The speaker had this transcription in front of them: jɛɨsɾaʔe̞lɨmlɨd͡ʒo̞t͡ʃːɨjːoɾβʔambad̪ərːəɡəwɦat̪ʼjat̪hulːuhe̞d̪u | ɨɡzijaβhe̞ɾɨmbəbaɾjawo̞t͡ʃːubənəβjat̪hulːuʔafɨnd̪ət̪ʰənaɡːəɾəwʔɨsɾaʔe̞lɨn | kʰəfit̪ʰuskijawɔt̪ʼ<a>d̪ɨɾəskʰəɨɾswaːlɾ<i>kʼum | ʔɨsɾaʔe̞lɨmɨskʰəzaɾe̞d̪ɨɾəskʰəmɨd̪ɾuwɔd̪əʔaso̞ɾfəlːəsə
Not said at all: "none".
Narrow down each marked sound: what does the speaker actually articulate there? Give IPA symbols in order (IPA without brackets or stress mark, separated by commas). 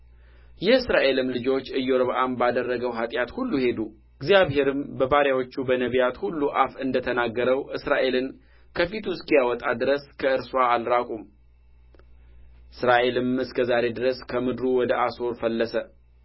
a, a